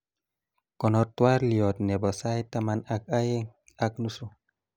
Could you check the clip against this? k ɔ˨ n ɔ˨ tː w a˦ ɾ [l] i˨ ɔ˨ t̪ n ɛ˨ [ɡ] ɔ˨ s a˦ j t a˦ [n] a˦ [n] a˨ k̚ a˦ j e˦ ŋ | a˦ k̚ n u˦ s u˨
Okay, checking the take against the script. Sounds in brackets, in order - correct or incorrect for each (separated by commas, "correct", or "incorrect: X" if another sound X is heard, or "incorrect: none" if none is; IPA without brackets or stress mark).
correct, incorrect: b, incorrect: m, correct